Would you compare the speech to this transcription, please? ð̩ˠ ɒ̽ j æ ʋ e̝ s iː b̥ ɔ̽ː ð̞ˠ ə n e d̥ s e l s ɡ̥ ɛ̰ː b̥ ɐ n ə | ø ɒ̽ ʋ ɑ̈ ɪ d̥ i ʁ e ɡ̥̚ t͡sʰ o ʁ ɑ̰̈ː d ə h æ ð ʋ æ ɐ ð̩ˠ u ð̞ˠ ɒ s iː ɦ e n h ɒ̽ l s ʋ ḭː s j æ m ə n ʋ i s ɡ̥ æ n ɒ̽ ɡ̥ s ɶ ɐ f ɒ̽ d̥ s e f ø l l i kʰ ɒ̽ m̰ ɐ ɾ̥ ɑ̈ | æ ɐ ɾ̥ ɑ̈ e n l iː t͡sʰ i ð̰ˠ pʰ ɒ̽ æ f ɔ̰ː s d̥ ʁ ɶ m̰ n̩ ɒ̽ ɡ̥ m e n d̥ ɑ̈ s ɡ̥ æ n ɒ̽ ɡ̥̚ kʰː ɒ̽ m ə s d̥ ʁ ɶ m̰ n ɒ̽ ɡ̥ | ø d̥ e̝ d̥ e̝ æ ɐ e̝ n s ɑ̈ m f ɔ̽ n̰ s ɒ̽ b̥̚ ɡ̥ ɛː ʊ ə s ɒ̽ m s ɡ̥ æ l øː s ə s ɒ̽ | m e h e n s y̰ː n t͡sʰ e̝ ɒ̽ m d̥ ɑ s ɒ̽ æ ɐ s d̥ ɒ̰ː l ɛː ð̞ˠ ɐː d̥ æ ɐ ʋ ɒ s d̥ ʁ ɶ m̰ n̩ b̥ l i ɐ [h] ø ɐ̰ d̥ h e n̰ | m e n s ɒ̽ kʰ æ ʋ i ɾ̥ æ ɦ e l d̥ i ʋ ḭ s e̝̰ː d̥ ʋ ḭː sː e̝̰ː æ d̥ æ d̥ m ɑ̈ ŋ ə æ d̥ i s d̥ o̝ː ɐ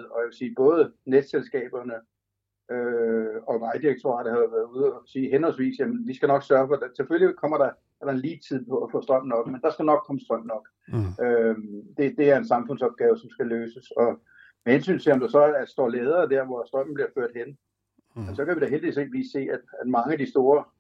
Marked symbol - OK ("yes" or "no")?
no